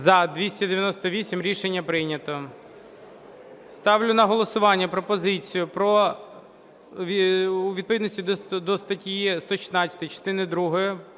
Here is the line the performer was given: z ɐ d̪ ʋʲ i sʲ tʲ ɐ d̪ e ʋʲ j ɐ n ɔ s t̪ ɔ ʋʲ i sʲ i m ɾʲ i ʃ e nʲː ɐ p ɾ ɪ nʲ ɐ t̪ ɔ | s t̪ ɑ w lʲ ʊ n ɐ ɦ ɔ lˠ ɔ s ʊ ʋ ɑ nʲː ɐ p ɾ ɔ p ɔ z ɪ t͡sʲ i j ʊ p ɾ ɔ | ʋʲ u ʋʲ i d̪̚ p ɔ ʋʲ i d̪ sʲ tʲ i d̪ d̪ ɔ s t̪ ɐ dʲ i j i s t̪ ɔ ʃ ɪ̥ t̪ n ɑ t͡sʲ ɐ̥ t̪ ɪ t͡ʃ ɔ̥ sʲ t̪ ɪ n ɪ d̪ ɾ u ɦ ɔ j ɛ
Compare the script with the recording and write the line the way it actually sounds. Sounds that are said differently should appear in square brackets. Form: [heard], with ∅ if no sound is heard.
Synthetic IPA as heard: z ɐ d̪ ʋʲ i sʲ tʲ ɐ d̪ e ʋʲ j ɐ n ɔ s t̪ ɔ ʋʲ i sʲ i m ɾʲ i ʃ e nʲː ɐ p ɾ ɪ nʲ ɐ t̪ ɔ | s t̪ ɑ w lʲ ʊ n ɐ ɦ ɔ lˠ ɔ s ʊ ʋ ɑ nʲː ɐ p ɾ ɔ p ɔ z ɪ t͡sʲ i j ʊ p ɾ ɔ | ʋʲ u ʋʲ i d̪̚ p ɔ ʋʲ i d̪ sʲ tʲ i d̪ d̪ ɔ s t̪ ɐ [tʲ] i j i s t̪ ɔ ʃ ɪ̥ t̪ n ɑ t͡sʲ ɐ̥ t̪ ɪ t͡ʃ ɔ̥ [∅] t̪ ɪ n ɪ d̪ ɾ u ɦ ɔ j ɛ

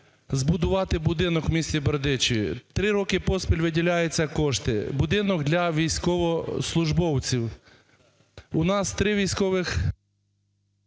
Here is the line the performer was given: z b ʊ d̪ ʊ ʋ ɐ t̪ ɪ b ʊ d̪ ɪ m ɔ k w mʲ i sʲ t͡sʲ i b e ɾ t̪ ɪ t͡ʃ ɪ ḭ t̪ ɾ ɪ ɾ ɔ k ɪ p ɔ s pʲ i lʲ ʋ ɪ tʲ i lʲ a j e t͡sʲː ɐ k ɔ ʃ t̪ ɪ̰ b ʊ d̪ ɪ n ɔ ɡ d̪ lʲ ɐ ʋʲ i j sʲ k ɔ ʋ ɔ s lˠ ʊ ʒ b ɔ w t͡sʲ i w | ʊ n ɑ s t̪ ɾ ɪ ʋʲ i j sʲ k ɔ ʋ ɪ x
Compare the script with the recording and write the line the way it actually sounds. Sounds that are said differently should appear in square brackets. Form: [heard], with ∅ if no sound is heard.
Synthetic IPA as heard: z b ʊ d̪ ʊ ʋ [ɑ] t̪ ɪ b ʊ d̪ ɪ [n] ɔ k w mʲ i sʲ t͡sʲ i b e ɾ [d̪] ɪ t͡ʃ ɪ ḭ t̪ ɾ ɪ ɾ ɔ k ɪ p ɔ s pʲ i lʲ ʋ ɪ [dʲ] i lʲ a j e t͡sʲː ɐ k ɔ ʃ t̪ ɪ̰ b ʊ d̪ ɪ n ɔ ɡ d̪ lʲ ɐ ʋʲ i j sʲ k ɔ ʋ ɔ s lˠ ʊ ʒ b ɔ w t͡sʲ i w | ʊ n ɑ s t̪ ɾ ɪ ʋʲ i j sʲ k ɔ ʋ ɪ x

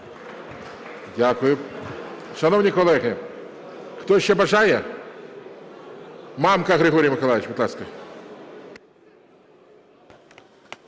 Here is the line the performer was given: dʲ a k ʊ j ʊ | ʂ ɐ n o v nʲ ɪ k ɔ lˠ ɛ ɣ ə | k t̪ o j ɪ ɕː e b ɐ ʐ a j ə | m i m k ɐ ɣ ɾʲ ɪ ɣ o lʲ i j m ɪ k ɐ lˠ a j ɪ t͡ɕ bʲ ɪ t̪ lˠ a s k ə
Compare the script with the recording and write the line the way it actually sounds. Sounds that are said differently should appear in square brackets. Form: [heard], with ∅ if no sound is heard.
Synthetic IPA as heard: dʲ a k ʊ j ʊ | ʂ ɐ n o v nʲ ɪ k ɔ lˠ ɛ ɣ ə | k t̪ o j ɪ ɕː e b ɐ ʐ a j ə | m [a] m k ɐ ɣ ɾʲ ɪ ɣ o [ɾʲ] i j m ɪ k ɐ lˠ a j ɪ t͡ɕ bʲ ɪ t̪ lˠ a s k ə

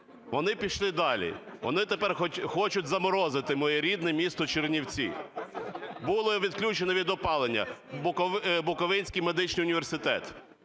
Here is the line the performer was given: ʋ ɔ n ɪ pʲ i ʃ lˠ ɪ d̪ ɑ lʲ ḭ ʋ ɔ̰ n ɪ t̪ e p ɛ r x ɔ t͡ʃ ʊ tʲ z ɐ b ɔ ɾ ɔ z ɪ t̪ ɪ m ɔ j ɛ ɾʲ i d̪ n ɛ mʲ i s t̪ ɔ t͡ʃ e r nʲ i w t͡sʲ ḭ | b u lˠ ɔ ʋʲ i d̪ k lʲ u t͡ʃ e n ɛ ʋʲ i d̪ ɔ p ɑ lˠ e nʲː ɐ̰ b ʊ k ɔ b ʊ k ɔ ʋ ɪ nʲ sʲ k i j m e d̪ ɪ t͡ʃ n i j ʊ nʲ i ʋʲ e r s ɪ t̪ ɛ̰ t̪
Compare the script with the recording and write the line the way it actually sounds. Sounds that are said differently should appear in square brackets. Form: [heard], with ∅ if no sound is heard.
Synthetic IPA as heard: ʋ ɔ n ɪ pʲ i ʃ lˠ ɪ d̪ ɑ lʲ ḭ ʋ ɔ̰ n ɪ t̪ e p ɛ r x ɔ t͡ʃ ʊ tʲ z ɐ [m] ɔ ɾ ɔ z ɪ t̪ ɪ m ɔ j ɛ ɾʲ i d̪ n ɛ mʲ i s t̪ ɔ t͡ʃ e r nʲ i w t͡sʲ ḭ | b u lˠ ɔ ʋʲ i d̪ k lʲ u t͡ʃ e n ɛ ʋʲ i d̪ ɔ p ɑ lˠ e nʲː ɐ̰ b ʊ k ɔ b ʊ k ɔ ʋ ɪ nʲ sʲ k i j m e d̪ ɪ t͡ʃ n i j ʊ nʲ i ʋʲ e r s ɪ t̪ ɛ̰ t̪

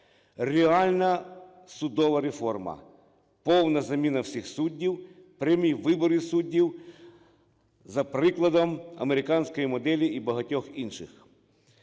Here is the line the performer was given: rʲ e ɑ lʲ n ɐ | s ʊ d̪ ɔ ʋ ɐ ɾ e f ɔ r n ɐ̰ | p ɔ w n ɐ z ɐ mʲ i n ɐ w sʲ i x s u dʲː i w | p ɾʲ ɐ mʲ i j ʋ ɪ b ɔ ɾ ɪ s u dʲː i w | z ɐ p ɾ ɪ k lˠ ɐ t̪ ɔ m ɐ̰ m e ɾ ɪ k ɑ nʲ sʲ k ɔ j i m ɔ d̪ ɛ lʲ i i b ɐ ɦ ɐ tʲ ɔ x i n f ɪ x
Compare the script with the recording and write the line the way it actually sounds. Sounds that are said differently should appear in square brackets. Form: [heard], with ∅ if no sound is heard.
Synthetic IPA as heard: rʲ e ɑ lʲ n ɐ | s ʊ d̪ ɔ ʋ ɐ ɾ e f ɔ r [m] ɐ̰ | p ɔ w n ɐ z ɐ mʲ i n ɐ w sʲ i x s u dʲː i w | p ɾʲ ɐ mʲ i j ʋ ɪ b ɔ ɾ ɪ s u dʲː i w | z ɐ p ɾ ɪ k lˠ ɐ [d̪] ɔ m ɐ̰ m e ɾ ɪ k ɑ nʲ sʲ k ɔ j i m ɔ d̪ ɛ lʲ i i b ɐ ɦ ɐ tʲ ɔ x i n [ʃ] ɪ x

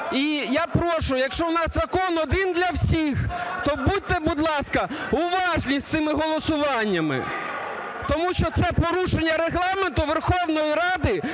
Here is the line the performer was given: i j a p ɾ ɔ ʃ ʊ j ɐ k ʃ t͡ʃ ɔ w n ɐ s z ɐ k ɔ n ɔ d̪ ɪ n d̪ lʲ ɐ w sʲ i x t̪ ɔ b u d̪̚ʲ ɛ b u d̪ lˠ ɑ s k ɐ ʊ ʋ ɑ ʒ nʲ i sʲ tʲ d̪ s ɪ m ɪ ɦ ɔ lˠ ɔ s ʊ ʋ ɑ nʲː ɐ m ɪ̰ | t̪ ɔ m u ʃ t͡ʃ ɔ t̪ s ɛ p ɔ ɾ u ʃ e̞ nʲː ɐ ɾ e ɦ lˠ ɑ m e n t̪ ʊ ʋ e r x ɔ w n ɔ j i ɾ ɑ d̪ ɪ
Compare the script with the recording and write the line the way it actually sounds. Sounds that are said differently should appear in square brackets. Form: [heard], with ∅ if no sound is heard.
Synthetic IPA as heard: i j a p ɾ ɔ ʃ ʊ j ɐ k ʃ t͡ʃ ɔ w n [ɑ] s z ɐ k ɔ n ɔ d̪ ɪ n d̪ lʲ ɐ w sʲ i x t̪ ɔ b u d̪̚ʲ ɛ b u d̪ lˠ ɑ s k ɐ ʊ ʋ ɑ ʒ nʲ i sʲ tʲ [t̪] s ɪ m ɪ ɦ ɔ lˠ ɔ s ʊ ʋ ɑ nʲː ɐ m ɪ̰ | t̪ ɔ m u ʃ t͡ʃ ɔ t̪ s ɛ p ɔ ɾ u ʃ e̞ nʲː ɐ ɾ e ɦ lˠ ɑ m e n t̪ ʊ ʋ e r x ɔ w n ɔ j i ɾ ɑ d̪ ɪ

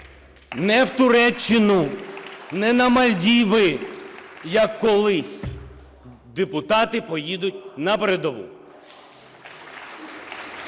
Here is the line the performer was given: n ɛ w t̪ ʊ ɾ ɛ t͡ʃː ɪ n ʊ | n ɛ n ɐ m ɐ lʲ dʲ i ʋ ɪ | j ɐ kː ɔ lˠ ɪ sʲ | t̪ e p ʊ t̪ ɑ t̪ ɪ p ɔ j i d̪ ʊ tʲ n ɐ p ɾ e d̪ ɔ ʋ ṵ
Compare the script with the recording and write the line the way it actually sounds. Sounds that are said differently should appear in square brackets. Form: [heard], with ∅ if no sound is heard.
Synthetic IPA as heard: n ɛ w t̪ ʊ ɾ ɛ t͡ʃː ɪ n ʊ | n ɛ n ɐ m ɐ lʲ dʲ i ʋ ɪ | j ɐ kː ɔ lˠ ɪ sʲ | [d̪] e p ʊ t̪ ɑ t̪ ɪ p ɔ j i d̪ ʊ tʲ n ɐ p ɾ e d̪ ɔ ʋ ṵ

